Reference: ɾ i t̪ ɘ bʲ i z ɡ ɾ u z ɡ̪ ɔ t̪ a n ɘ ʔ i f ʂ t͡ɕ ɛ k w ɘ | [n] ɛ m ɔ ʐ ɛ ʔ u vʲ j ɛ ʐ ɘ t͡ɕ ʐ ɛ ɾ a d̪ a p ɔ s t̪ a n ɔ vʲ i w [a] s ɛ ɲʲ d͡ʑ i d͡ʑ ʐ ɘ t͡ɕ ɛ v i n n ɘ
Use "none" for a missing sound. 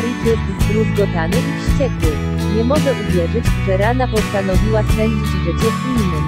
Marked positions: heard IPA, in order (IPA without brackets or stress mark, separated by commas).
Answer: ɲ, a